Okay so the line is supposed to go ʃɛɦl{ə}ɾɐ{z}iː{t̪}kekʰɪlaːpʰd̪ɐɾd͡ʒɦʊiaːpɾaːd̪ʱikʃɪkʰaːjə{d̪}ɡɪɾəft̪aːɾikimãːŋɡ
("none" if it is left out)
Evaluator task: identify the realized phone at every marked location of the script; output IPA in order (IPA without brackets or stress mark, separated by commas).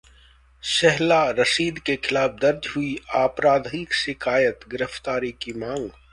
a, s, d̪, t̪